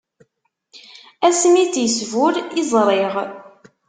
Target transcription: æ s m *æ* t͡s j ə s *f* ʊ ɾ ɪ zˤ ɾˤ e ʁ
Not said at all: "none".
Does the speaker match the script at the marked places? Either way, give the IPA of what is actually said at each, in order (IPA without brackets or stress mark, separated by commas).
i, v